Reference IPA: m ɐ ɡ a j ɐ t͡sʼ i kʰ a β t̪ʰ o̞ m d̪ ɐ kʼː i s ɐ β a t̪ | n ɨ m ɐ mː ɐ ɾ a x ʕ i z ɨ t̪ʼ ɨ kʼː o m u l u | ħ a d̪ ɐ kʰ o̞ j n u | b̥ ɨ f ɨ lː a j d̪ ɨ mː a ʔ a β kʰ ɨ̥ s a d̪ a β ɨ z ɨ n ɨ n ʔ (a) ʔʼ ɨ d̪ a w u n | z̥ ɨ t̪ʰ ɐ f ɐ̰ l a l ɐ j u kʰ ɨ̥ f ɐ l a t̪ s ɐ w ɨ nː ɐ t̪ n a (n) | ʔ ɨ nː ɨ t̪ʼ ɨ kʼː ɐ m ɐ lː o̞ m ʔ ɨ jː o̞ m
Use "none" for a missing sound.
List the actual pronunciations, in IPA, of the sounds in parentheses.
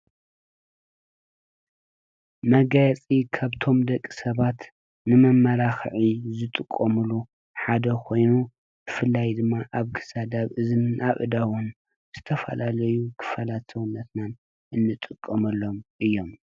a, n

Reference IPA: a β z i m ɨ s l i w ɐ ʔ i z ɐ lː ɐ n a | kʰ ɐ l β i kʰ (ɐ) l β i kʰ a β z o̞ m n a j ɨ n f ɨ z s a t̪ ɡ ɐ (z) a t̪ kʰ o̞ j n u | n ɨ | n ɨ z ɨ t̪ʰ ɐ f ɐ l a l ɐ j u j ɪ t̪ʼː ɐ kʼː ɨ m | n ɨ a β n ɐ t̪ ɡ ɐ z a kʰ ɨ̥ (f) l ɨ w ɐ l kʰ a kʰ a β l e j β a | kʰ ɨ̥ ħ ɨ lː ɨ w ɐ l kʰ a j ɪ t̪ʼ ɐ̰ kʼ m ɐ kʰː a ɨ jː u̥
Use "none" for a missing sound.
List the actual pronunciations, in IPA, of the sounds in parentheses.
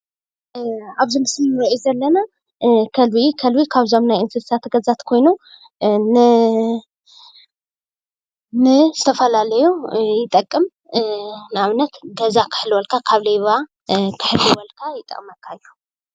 ɐ, z, ħ

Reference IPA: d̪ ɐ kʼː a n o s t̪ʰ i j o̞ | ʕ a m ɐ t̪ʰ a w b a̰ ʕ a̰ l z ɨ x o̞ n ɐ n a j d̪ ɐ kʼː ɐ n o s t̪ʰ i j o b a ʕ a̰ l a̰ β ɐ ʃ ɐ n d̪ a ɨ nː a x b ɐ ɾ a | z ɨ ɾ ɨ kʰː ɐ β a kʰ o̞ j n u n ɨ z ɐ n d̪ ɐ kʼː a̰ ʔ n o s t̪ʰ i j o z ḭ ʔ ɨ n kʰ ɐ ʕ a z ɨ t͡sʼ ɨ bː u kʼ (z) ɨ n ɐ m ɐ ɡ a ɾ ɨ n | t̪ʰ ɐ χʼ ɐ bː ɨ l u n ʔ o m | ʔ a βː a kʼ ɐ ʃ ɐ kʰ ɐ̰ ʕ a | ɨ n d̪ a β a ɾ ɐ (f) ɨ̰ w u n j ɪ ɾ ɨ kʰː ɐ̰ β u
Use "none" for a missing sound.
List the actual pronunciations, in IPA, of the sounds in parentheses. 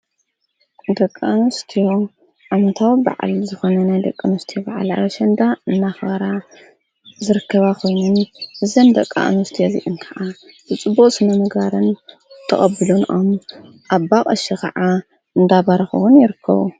s, x

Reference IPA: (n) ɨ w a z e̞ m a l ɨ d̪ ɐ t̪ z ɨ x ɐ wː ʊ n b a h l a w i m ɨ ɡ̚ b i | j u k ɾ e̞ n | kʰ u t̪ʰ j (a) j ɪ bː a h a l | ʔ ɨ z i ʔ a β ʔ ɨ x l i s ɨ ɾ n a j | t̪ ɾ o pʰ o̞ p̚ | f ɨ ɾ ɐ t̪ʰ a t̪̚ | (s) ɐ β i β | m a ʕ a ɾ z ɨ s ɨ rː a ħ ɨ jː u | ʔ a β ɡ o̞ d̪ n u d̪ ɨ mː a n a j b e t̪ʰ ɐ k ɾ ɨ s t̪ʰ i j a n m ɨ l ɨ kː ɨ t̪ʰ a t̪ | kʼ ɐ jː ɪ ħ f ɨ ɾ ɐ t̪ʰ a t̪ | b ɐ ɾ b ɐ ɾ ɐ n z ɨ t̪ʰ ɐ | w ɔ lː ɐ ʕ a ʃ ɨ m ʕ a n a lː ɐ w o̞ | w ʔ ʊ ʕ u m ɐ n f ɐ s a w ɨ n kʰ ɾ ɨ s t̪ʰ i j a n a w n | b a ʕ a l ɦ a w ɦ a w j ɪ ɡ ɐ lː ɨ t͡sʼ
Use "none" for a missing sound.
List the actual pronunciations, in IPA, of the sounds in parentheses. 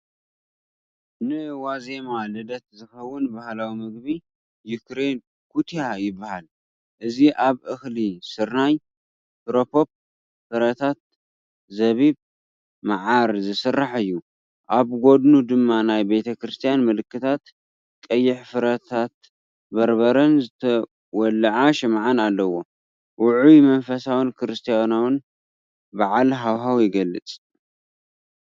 n, a, z

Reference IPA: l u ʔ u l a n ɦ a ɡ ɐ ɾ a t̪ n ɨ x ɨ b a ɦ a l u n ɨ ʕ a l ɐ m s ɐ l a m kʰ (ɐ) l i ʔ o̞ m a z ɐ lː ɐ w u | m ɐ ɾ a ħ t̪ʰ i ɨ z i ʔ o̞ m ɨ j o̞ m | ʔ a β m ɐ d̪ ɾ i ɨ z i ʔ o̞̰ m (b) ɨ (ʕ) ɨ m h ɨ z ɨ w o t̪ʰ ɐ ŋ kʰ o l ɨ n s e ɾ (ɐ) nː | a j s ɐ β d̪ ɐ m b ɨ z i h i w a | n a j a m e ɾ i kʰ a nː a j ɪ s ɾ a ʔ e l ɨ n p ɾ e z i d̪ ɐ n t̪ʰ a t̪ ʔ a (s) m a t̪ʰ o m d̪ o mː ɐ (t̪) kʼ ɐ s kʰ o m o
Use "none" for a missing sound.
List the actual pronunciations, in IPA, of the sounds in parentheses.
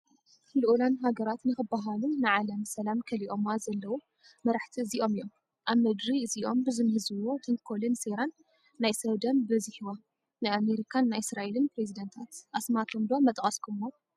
ɐ, b, z, a, s, t̪ʼ

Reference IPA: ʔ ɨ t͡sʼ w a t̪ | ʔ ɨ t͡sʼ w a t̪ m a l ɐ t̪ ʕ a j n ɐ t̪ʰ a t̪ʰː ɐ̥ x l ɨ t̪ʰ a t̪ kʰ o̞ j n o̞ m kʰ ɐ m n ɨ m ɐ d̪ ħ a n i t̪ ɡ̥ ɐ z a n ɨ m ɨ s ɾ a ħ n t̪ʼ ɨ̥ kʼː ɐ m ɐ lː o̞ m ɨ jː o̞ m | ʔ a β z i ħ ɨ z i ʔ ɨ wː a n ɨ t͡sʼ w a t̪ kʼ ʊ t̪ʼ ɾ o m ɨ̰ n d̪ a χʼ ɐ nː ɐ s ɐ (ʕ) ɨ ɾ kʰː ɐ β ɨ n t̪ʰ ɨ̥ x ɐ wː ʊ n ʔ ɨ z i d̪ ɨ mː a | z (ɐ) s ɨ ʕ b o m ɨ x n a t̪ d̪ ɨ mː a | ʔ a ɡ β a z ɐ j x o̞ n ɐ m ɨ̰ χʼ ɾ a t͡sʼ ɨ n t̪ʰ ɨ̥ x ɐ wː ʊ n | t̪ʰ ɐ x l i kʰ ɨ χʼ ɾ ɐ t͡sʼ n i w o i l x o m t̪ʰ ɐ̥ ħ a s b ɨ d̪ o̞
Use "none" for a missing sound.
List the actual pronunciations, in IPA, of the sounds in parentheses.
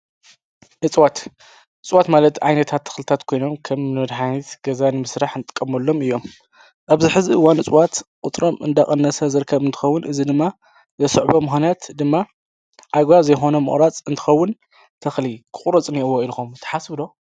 z, ɐ

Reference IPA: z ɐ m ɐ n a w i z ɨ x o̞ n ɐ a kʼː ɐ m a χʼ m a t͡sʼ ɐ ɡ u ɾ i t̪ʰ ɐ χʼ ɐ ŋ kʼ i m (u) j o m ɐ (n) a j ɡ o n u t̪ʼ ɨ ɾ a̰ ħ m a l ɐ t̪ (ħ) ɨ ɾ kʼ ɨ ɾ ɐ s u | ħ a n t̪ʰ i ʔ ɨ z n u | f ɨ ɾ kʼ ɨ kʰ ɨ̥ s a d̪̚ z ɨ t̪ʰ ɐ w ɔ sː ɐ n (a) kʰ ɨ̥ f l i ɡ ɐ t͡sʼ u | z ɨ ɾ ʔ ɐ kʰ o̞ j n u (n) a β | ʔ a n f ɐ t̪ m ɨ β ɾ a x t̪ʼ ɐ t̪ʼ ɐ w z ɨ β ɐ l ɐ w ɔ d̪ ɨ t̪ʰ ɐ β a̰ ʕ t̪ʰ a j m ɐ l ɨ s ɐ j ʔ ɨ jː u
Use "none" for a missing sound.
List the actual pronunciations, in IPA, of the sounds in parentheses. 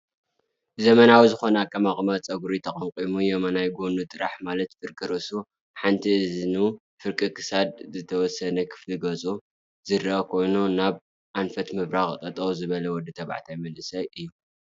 u, n, f, ɐ, n

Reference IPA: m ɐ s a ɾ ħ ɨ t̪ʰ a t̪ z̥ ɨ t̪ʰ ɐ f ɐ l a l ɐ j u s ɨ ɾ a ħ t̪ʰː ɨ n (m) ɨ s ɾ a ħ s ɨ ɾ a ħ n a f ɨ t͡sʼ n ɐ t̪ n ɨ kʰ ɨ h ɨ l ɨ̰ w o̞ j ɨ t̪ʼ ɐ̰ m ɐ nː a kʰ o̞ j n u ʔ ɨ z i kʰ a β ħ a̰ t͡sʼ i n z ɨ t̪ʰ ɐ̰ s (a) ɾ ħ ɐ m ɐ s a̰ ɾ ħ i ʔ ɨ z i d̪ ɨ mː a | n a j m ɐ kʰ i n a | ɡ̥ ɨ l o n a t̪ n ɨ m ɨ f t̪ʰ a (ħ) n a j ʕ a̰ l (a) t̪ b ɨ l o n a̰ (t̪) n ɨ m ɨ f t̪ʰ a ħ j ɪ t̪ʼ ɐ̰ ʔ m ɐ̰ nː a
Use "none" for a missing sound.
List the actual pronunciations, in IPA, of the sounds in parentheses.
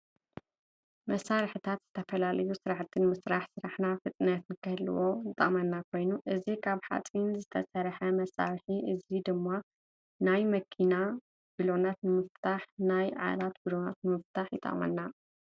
m, ɐ, ħ, a, t̪

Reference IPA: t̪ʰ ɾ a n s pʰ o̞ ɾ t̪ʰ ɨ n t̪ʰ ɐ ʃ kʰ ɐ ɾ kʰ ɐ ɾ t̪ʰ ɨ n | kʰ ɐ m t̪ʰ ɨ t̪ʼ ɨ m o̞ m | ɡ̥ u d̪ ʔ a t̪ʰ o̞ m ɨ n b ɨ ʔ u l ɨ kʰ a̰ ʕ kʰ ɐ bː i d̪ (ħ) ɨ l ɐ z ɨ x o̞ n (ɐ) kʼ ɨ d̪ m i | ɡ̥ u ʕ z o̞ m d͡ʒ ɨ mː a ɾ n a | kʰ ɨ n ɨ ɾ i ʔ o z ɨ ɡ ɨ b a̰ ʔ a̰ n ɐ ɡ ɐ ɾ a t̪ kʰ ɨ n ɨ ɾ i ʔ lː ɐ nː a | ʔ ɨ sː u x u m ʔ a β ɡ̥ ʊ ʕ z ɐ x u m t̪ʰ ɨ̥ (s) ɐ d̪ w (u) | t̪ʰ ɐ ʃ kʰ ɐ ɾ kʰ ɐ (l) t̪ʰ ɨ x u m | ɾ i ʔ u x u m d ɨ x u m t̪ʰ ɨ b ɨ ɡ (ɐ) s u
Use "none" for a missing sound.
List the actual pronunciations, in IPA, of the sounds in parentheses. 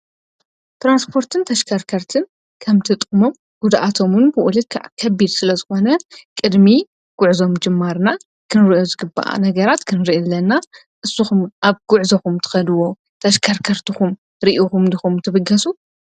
s, ɐ, x, o, ɾ, ɐ

